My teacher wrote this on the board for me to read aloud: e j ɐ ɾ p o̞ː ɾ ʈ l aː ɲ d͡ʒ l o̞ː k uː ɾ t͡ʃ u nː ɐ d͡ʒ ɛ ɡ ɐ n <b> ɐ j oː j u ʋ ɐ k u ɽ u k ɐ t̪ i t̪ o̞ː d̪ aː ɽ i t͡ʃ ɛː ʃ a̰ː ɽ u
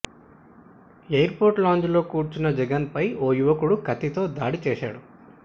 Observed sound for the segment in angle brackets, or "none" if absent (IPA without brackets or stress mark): p